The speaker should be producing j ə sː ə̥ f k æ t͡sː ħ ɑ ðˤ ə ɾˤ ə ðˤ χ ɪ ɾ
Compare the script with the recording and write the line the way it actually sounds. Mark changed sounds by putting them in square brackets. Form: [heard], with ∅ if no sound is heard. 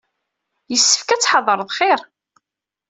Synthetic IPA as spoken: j ə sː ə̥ f k æ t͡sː ħ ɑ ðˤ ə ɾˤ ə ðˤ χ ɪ ɾ